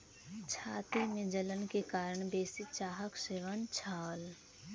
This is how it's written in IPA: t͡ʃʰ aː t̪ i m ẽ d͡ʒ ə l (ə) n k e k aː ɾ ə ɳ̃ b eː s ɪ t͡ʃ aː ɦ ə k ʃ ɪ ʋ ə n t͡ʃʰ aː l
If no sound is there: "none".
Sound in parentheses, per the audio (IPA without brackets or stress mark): ə